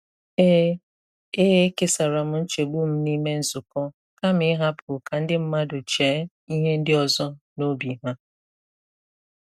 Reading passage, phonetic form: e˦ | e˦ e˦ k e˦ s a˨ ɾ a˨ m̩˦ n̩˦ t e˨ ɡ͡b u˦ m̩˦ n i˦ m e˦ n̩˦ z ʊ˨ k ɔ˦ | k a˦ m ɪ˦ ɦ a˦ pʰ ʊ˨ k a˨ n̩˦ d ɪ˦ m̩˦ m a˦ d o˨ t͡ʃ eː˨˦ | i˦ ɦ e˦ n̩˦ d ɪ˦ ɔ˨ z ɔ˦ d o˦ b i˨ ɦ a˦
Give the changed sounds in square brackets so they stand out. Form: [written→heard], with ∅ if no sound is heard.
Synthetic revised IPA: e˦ | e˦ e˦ k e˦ s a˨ ɾ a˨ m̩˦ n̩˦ [t→t͡ʃ] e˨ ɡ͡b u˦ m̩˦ n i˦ m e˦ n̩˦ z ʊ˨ k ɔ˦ | k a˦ m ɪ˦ ɦ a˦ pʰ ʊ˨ k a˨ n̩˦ d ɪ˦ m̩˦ m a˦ d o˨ t͡ʃ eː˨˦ | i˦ ɦ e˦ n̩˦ d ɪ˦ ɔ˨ z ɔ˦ [d→n] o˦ b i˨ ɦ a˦